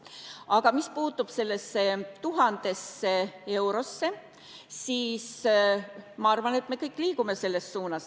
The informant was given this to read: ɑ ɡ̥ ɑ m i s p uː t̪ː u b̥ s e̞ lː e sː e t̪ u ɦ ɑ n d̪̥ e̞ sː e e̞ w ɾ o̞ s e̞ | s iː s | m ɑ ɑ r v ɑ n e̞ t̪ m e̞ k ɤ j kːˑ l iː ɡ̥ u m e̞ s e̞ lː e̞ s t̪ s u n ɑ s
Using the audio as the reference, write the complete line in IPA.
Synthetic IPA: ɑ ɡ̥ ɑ m i s p uː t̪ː u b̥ s e̞ lː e sː e t̪ u ɦ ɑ n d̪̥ e̞ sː e e̞ w ɾ o̞ sː e̞ | s iː s | m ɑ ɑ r v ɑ n e̞ t̪ m e̞ k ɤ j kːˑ l iː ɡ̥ u m e̞ s e̞ lː e̞ s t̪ s uː n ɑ s